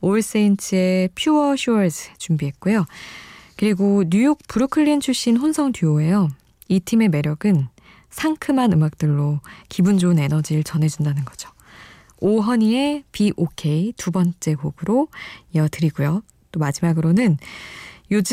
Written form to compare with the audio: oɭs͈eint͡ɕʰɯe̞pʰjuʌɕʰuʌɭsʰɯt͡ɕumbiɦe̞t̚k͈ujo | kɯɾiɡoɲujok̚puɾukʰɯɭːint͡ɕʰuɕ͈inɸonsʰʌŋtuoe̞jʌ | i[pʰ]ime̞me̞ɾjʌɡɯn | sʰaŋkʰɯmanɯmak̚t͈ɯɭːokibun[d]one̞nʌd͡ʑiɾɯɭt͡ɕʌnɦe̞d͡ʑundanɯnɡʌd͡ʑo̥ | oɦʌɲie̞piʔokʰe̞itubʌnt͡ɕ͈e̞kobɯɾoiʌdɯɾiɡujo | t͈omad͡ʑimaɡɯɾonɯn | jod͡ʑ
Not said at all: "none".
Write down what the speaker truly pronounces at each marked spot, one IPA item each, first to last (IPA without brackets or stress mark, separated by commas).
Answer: tʰ, d͡ʑ